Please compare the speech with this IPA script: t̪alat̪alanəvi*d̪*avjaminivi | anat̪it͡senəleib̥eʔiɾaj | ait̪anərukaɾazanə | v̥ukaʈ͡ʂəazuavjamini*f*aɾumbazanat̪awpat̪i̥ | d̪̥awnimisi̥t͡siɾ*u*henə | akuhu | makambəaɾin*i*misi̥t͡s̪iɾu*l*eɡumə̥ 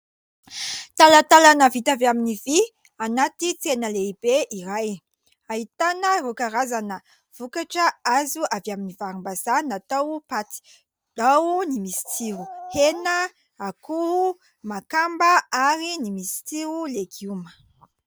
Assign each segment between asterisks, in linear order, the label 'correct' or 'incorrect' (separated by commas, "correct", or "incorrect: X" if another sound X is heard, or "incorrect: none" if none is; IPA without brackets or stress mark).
incorrect: t̪, incorrect: v, correct, correct, correct